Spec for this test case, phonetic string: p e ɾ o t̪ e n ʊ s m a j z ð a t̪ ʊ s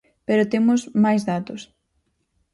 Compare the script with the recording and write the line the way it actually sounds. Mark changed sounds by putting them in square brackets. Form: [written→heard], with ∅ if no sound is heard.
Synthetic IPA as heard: p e ɾ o t̪ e [n→m] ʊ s m a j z ð a t̪ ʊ s